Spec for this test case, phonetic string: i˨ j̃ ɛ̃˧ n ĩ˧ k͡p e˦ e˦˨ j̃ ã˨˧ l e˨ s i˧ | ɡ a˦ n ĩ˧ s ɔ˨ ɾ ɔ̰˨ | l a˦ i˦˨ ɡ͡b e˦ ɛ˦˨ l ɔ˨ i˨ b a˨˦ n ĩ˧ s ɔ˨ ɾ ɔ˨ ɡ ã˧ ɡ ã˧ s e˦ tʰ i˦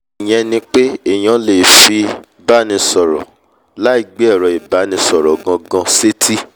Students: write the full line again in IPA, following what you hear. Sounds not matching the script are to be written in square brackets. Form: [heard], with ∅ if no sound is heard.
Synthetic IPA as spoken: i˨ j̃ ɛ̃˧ n ĩ˧ k͡p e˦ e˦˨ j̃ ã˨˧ l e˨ [f] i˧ | [b] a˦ n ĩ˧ s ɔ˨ ɾ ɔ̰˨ | l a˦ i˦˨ ɡ͡b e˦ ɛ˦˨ [ɾ] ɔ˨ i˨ b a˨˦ n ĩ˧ s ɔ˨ ɾ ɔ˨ ɡ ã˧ ɡ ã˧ s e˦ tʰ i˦